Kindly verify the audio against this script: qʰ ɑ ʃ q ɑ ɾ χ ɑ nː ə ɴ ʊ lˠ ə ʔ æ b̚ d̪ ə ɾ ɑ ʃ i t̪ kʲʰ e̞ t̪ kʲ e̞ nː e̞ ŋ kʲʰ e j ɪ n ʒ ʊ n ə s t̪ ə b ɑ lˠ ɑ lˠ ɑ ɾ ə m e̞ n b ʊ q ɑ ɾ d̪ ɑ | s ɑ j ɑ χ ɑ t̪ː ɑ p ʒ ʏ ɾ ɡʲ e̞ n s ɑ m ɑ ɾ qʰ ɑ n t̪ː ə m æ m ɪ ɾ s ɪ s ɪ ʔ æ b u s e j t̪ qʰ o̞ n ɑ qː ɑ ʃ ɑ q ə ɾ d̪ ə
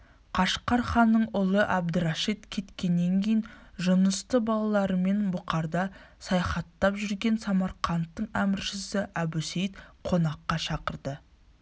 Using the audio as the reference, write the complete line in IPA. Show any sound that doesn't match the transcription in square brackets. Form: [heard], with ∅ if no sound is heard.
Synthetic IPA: qʰ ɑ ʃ q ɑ ɾ χ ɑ nː ə ɴ ʊ lˠ ə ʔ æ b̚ d̪ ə ɾ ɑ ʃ i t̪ kʲʰ e̞ t̪ kʲ e̞ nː e̞ ŋ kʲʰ e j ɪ n ʒ ʊ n ə s t̪ ə b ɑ lˠ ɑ lˠ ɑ ɾ ə m e̞ n b ʊ q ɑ ɾ d̪ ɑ | s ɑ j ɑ χ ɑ t̪ː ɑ p ʒ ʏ ɾ ɡʲ e̞ n s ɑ m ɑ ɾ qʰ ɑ n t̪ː ə [ɴ] æ m ɪ ɾ [ʃ] ɪ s ɪ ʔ æ b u s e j t̪ qʰ o̞ n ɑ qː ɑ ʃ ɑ q ə ɾ d̪ ə

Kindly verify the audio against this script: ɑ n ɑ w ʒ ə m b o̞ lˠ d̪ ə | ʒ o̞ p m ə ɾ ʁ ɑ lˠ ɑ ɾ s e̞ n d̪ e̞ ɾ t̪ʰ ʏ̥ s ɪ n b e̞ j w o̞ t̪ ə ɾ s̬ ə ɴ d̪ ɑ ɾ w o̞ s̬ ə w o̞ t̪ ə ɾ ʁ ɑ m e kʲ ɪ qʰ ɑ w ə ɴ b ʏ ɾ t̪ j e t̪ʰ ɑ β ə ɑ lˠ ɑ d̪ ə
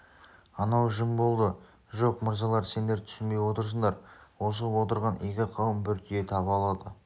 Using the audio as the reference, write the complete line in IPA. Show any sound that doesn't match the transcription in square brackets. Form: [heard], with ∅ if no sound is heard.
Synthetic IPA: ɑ n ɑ w ʒ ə m b o̞ lˠ d̪ ə | ʒ o̞ [q] m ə ɾ [z] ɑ lˠ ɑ ɾ s e̞ n d̪ e̞ ɾ t̪ʰ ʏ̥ s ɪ n b e̞ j w o̞ t̪ ə ɾ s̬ ə ɴ d̪ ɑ ɾ w o̞ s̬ ə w o̞ t̪ ə ɾ ʁ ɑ [n] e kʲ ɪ qʰ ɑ w ə [m] b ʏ ɾ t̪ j e t̪ʰ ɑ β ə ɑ lˠ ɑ d̪ ə

